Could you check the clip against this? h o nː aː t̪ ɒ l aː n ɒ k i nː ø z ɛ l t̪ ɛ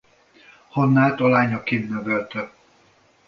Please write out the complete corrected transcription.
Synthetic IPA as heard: h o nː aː t̪ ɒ l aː ɲ ɒ k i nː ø v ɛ l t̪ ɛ